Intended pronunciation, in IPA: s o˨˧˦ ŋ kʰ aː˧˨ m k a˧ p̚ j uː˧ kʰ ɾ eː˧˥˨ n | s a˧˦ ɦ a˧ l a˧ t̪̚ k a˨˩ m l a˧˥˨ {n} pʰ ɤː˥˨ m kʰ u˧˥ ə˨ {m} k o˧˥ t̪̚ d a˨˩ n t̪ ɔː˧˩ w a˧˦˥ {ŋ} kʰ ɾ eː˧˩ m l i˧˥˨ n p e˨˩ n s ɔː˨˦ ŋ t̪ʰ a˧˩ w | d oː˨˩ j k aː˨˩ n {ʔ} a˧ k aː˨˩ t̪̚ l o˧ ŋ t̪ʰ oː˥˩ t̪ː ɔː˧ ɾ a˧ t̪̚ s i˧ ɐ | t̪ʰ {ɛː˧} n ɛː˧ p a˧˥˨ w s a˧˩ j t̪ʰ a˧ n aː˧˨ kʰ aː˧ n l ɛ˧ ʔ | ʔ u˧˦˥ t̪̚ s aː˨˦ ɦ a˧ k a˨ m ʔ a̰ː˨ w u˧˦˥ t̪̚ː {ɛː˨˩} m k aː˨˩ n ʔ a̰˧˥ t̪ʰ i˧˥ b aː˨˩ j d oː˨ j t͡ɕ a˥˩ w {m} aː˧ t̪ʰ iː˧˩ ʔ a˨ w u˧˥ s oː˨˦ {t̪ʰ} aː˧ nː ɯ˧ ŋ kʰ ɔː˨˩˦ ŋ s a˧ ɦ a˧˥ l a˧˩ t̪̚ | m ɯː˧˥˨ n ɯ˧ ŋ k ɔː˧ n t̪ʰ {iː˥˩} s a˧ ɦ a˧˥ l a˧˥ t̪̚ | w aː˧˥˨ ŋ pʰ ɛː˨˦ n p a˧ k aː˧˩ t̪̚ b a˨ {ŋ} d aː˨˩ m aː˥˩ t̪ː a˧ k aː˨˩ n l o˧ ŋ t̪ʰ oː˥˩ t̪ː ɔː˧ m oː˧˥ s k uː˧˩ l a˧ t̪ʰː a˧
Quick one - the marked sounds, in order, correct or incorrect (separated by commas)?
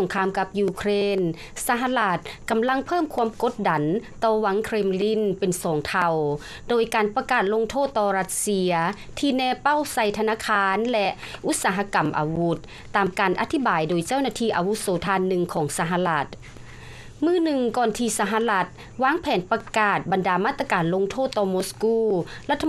incorrect, correct, correct, incorrect, incorrect, incorrect, incorrect, correct, incorrect, incorrect